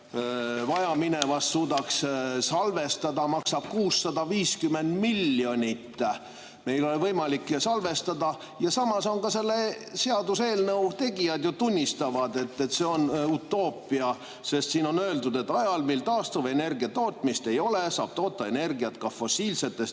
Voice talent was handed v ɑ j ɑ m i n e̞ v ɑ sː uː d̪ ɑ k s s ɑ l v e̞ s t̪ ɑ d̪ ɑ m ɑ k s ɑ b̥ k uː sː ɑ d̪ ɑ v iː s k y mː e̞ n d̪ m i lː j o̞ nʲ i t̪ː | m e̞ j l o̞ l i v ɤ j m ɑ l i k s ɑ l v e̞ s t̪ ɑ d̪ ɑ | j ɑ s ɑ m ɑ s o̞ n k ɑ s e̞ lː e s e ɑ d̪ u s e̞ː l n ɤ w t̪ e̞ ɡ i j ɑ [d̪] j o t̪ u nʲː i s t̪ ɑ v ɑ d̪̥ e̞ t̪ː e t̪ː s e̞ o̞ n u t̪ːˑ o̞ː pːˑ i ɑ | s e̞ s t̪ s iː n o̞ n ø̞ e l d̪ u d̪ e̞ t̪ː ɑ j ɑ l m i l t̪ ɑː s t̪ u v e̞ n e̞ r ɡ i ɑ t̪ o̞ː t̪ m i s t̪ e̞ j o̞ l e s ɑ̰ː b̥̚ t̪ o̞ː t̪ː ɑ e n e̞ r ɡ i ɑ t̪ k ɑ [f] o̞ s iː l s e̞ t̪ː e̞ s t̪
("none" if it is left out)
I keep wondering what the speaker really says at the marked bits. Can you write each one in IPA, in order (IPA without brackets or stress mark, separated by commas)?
d̪, f